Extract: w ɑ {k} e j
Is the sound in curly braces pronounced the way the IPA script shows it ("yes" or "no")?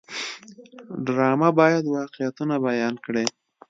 no